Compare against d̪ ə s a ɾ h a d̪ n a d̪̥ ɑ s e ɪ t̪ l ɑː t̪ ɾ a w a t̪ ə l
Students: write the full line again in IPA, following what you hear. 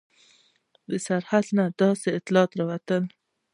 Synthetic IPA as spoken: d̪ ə s a ɾ h a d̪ n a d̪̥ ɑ s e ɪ t̪ l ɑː t̪ ɾ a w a t̪ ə l